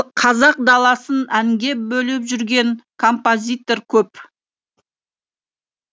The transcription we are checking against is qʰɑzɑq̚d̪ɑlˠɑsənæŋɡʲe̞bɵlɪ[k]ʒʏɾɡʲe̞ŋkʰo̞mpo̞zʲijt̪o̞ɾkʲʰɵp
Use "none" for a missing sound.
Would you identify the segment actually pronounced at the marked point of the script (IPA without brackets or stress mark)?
p